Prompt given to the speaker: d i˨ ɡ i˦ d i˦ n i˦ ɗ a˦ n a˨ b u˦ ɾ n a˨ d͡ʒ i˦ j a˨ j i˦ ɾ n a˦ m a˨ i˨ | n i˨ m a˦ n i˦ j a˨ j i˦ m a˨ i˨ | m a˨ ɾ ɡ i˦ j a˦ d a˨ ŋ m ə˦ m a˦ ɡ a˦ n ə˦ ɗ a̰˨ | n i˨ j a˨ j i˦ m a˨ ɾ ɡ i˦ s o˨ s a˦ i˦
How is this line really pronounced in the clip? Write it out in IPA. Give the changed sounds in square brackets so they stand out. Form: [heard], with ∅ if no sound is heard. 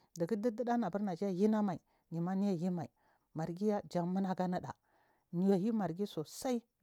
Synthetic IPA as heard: d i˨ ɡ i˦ d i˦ [d] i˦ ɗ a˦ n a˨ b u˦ ɾ n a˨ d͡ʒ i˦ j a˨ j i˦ [∅] n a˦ m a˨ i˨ | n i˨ m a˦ n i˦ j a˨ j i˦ m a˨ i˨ | m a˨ ɾ ɡ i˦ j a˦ [d͡ʒ] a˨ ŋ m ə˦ [n] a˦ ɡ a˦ n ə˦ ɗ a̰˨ | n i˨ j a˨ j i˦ m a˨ ɾ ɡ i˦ s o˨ s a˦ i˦